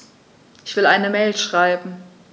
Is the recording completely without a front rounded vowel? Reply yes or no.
yes